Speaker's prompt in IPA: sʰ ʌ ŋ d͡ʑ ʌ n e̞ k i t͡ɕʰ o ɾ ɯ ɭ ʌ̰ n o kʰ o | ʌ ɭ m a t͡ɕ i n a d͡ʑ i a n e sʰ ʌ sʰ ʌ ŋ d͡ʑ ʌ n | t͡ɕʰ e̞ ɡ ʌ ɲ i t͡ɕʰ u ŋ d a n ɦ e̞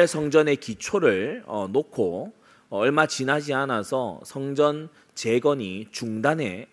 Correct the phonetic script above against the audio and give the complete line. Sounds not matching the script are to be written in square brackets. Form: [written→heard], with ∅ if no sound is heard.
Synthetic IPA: sʰ ʌ ŋ d͡ʑ ʌ n e̞ k i t͡ɕʰ o ɾ ɯ ɭ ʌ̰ n o kʰ o | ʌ ɭ m a t͡ɕ i n a d͡ʑ i a n [e→a] sʰ ʌ sʰ ʌ ŋ d͡ʑ ʌ n | [t͡ɕʰ→t͡ɕ] e̞ ɡ ʌ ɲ i [t͡ɕʰ→t͡ɕ] u ŋ d a n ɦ e̞